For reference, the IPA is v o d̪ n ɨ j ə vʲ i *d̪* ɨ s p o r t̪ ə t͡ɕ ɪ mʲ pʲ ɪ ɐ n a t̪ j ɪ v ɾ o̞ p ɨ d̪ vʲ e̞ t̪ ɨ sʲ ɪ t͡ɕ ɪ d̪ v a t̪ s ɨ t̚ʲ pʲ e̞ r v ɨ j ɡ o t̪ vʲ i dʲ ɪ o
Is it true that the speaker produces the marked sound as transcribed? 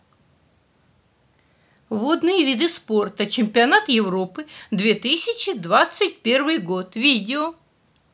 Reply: yes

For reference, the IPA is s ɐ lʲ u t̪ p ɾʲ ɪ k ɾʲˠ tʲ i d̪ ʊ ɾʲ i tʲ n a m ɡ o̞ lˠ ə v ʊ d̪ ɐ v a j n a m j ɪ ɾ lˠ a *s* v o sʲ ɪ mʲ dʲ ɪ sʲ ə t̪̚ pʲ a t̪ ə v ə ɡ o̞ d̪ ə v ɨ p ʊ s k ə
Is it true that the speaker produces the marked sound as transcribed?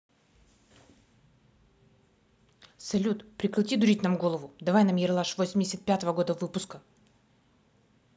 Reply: no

